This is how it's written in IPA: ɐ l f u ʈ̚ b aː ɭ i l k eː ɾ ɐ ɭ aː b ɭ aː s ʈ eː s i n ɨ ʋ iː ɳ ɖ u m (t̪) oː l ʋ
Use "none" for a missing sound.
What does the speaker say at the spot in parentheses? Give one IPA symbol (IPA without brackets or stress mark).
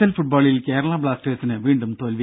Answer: t̪